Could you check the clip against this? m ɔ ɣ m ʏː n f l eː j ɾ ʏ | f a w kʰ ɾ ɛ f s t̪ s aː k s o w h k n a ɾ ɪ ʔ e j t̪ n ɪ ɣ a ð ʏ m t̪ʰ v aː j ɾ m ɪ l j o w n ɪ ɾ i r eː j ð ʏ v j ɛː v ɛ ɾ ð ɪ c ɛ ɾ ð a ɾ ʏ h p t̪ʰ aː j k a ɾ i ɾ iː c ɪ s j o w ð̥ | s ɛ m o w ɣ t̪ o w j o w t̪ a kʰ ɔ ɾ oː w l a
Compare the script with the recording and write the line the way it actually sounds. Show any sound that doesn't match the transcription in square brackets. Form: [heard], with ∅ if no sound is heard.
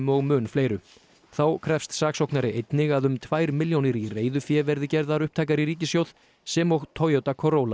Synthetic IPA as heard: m ɔ ɣ m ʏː n f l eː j ɾ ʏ | [θ] a w kʰ ɾ ɛ f s t̪ s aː k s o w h k n a ɾ ɪ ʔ e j t̪ n ɪ ɣ a ð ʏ m t̪ʰ v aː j ɾ m ɪ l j o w n ɪ ɾ i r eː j ð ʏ [f] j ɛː v ɛ ɾ ð ɪ c ɛ ɾ ð a ɾ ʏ h p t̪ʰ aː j k a ɾ i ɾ iː c ɪ s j o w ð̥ | s ɛ m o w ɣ [t̪ʰ] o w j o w t̪ a kʰ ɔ ɾ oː w l a

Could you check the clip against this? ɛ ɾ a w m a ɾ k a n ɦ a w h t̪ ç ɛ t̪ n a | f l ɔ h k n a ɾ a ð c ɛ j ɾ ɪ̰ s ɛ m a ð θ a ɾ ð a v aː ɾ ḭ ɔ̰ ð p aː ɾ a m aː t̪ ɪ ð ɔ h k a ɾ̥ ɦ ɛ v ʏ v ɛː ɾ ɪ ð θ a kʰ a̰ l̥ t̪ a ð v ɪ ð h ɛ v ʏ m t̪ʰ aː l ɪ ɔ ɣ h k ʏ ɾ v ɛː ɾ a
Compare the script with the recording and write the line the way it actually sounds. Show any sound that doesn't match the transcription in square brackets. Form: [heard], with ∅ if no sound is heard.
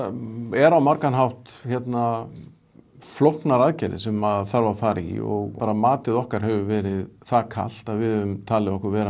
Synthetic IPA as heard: ɛ ɾ a w m a ɾ k a n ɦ a w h t̪ ç ɛ t̪ n a | f l ɔ h k n a ɾ a ð c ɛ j ɾ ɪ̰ s ɛ m a ð θ a ɾ [v] a [f] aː ɾ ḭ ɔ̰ [ɣ] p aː ɾ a m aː t̪ ɪ ð ɔ h k a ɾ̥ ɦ ɛ v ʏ v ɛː ɾ ɪ ð θ a kʰ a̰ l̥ t̪ a ð v ɪ ð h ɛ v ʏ m t̪ʰ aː l ɪ ɔ [∅] h k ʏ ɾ v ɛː ɾ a

